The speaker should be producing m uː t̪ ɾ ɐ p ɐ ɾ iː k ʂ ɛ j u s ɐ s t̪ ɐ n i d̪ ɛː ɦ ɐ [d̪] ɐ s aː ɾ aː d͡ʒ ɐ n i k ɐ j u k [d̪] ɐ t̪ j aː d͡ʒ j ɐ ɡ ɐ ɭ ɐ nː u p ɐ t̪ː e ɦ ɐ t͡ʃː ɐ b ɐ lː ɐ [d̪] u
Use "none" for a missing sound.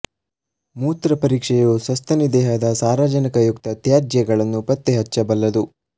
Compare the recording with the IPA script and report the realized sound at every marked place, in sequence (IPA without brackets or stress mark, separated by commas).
d̪, t̪, d̪